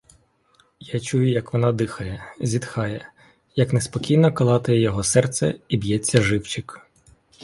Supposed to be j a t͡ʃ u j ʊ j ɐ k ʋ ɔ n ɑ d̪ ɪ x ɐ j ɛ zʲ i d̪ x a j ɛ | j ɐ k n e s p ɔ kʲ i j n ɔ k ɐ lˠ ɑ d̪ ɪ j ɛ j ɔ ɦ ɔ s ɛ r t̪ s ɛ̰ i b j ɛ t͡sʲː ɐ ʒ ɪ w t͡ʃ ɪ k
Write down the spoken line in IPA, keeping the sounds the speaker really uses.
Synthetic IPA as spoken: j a t͡ʃ u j ʊ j ɐ k ʋ ɔ n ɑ d̪ ɪ x ɐ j ɛ zʲ i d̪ x ɑ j ɛ | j ɐ k n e s p ɔ kʲ i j n ɔ k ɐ lˠ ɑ t̪ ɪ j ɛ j ɔ ɦ ɔ s ɛ r t̪ s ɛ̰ i b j ɛ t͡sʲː ɐ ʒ ɪ w t͡ʃ ɪ k